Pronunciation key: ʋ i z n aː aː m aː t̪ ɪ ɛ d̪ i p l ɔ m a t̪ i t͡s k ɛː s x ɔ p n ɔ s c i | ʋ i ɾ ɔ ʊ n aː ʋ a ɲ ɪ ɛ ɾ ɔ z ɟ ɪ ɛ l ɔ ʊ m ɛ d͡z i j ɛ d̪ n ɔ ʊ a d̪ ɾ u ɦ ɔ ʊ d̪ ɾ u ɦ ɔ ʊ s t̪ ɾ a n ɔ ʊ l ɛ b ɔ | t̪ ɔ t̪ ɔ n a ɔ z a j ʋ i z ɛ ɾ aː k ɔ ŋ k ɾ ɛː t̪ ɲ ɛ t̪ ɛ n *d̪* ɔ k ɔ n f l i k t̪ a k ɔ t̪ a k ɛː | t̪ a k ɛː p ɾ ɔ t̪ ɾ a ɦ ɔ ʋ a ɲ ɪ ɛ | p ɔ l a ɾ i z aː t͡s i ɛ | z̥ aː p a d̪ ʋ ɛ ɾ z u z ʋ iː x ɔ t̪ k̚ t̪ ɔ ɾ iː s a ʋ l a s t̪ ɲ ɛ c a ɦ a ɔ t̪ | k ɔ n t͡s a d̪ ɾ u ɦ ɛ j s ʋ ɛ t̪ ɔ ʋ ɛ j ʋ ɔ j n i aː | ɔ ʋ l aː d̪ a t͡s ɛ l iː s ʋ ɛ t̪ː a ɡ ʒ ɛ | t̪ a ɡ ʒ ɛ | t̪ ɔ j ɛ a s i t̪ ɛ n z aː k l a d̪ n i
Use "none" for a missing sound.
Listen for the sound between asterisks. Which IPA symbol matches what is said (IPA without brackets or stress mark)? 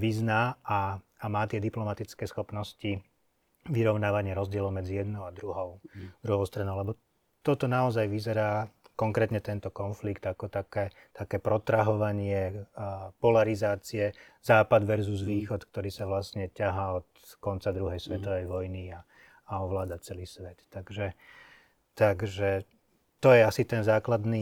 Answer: t̪